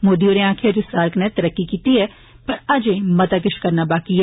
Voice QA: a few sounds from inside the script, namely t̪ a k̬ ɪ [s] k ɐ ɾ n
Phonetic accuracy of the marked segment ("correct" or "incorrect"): incorrect